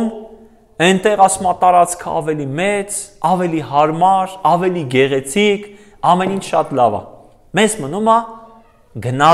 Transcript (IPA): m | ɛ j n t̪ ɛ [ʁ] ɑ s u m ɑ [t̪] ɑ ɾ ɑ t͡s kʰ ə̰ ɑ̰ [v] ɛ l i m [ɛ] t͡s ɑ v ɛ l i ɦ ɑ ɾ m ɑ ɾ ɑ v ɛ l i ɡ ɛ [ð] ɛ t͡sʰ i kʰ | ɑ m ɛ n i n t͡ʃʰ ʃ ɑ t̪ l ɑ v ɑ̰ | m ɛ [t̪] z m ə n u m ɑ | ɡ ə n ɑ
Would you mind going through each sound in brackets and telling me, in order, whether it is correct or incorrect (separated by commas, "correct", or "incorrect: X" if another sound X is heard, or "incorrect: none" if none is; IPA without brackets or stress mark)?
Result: correct, correct, correct, correct, incorrect: ʁ, incorrect: none